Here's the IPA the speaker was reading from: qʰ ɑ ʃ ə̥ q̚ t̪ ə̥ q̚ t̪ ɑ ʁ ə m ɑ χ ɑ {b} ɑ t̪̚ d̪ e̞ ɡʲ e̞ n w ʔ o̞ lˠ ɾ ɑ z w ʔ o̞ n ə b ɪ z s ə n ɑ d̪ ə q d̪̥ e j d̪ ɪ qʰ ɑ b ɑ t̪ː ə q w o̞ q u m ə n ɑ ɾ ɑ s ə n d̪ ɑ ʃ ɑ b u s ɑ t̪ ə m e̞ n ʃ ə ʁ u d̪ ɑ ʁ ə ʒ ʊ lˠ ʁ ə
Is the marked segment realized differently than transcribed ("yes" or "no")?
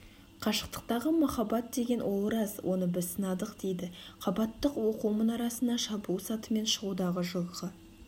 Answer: no